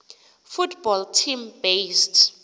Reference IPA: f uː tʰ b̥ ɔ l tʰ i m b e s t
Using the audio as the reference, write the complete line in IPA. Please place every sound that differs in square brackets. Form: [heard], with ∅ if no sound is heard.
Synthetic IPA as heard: f [u] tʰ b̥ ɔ l tʰ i m b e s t